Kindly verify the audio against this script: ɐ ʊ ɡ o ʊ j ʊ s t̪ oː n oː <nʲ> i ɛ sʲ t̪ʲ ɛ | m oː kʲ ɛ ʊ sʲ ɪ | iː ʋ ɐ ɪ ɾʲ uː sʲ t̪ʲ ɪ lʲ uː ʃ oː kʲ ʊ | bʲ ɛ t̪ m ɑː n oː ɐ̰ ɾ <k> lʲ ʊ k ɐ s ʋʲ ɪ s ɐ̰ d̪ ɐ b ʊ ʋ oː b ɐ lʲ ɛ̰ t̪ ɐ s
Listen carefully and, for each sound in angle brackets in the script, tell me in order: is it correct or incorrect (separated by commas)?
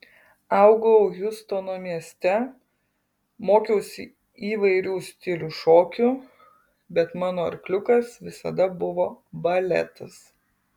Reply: incorrect, correct